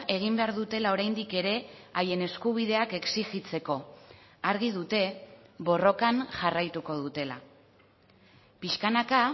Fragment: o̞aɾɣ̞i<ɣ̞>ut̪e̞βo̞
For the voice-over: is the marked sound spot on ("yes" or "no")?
no